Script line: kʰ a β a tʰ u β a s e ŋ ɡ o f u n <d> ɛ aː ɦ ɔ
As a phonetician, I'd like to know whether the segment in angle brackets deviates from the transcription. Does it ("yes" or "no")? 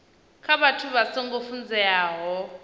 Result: yes